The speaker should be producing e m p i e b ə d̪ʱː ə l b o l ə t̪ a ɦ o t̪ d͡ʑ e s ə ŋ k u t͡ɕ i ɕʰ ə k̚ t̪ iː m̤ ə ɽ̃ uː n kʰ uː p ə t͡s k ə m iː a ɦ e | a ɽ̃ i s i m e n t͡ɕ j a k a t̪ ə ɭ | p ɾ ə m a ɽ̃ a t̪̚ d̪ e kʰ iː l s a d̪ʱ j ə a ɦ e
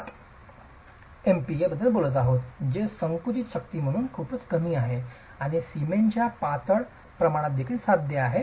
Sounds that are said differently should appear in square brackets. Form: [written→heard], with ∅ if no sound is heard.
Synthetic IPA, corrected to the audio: e m p i e b ə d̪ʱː ə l b o l ə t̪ a ɦ o t̪ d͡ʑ e s ə ŋ k u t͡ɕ i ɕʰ ə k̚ t̪ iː m̤ ə ɽ̃ uː n kʰ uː p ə t͡s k ə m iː a ɦ e | a ɽ̃ i s i m e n t͡ɕ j a [k→p] a t̪ ə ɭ | p ɾ ə m a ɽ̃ a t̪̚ d̪ e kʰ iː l s a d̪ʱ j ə a ɦ e

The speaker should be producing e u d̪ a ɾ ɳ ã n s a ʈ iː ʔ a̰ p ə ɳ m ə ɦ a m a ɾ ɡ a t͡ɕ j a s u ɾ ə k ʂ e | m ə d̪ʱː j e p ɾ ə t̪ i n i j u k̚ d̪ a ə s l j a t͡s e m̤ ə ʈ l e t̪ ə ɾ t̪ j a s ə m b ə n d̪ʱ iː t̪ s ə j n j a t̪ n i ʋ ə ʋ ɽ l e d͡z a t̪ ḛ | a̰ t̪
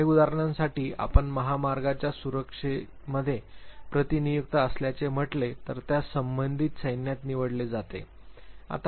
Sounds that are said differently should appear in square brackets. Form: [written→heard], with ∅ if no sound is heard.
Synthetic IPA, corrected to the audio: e u d̪ a ɾ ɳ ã n s a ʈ iː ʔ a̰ p ə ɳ m ə ɦ a m a ɾ ɡ a t͡ɕ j a s u ɾ ə k ʂ e | m ə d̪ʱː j e p ɾ ə t̪ i n i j u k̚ [d̪→t̪] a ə s l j a t͡s e m̤ ə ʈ l e t̪ ə ɾ t̪ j a s ə m b ə n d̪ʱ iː t̪ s ə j n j a t̪ n i ʋ ə [ʋ→∅] ɽ l e d͡z a t̪ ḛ | a̰ t̪

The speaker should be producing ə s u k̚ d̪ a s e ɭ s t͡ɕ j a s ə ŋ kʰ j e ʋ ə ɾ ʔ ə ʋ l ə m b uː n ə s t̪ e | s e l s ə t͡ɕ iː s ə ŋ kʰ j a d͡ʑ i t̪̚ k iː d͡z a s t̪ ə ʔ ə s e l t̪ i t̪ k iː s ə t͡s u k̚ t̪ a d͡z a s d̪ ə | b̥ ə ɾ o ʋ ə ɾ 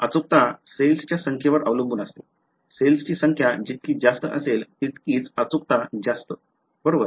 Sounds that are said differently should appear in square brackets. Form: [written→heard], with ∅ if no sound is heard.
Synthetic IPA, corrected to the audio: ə [s→t͡s] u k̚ [d̪→t̪] a s e [ɭ→l] s t͡ɕ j a s ə ŋ kʰ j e ʋ ə ɾ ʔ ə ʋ l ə m b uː n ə s t̪ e | s e l s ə t͡ɕ iː s ə ŋ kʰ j a d͡ʑ i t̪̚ k iː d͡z a s t̪ ə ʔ ə s e l t̪ i t̪ k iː [s→t͡s] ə t͡s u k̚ t̪ a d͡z a s [d̪→t̪] ə | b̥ ə ɾ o ʋ ə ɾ

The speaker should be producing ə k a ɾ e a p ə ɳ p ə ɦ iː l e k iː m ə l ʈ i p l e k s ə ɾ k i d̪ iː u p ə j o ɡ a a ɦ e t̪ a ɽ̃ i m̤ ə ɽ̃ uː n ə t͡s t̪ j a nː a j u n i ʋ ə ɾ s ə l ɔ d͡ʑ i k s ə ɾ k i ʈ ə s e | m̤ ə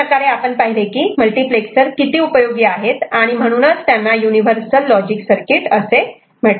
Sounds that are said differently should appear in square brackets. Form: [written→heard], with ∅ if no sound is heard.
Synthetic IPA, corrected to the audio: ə k a ɾ e a p ə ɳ p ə ɦ [iː→i] l e k iː m ə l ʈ i p l e k s ə ɾ k i [d̪→t̪] iː u p ə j o ɡ [a→i] a ɦ e t̪ a ɽ̃ i m̤ ə ɽ̃ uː n ə t͡s t̪ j a nː a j u n i ʋ ə ɾ s ə [l→lː] ɔ d͡ʑ i k s ə ɾ k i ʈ ə s e | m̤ ə

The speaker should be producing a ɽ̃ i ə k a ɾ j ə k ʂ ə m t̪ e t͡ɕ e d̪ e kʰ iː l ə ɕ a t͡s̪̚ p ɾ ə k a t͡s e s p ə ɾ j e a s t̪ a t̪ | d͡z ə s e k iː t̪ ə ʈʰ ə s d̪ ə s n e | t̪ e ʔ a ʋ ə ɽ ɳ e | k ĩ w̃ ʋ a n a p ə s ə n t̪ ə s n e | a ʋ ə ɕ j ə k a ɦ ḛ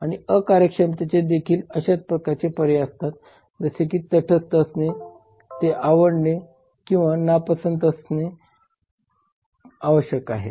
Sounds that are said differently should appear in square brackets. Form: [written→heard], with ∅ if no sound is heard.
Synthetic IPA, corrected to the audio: a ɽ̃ i ə k a ɾ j ə k ʂ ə m t̪ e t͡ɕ e d̪ e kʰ iː l ə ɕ a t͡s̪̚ p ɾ ə k a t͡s e [s→∅] p ə ɾ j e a s t̪ a t̪ | d͡z ə s e k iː t̪ ə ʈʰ ə s [d̪→t̪] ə s n e | t̪ e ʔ a ʋ ə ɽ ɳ e | k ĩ w̃ ʋ a n a p ə s ə n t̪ ə s n e | a ʋ ə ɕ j ə k a ɦ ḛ

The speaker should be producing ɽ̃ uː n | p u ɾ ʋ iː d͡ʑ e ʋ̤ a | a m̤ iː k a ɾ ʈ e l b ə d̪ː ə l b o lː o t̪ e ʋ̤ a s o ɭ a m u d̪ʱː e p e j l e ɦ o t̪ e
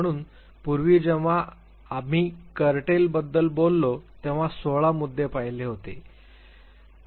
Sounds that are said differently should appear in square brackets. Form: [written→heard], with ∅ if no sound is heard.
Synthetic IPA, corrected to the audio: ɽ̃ uː n | p u ɾ ʋ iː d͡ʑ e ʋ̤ a | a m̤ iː k [a→ə] ɾ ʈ e l b ə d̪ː ə l b o lː o t̪ e ʋ̤ a s o ɭ a m u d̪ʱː e p [e→a] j l e ɦ o t̪ e

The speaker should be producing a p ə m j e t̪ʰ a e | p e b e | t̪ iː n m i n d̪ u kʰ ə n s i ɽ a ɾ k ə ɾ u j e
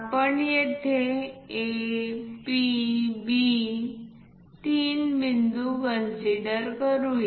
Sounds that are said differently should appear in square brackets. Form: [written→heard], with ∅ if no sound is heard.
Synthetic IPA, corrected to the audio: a p ə [m→ɳ] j e t̪ʰ [a→e] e | p [e→i] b [e→i] | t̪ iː n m i n d̪ u [kʰ→k] ə n s i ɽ [a→ə] ɾ k ə ɾ u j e

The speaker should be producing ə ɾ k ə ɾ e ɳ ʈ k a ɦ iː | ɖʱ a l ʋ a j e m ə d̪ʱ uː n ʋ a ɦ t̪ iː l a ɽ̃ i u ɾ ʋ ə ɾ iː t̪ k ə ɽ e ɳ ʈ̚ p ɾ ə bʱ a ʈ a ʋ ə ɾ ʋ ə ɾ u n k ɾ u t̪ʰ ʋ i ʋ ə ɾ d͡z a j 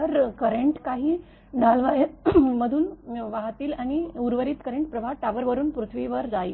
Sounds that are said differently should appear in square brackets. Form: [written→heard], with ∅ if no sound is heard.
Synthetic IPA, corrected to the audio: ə ɾ k ə ɾ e ɳ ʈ k a ɦ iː | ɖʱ a l ʋ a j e m ə d̪ʱ uː n ʋ a ɦ t̪ iː l a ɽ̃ i u ɾ ʋ ə ɾ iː t̪ k ə [ɽ→ɾ] e ɳ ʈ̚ p ɾ ə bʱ a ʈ a ʋ ə ɾ ʋ ə ɾ [u→uː] n [k→p] ɾ u t̪ʰ ʋ i ʋ ə ɾ d͡z a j

